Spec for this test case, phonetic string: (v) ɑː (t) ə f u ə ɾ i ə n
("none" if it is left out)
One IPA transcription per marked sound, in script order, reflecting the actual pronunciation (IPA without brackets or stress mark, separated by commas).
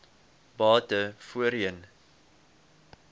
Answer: b, t